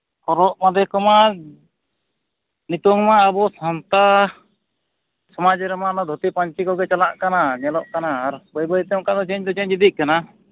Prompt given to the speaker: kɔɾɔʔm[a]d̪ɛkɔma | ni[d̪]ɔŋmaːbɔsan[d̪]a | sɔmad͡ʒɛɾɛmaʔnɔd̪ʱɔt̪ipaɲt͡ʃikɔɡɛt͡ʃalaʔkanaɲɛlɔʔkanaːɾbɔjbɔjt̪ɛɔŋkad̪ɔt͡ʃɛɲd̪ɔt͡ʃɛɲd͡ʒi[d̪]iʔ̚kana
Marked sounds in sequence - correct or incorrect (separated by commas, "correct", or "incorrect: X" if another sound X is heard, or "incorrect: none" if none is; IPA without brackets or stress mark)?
correct, incorrect: t̪, incorrect: t̪, correct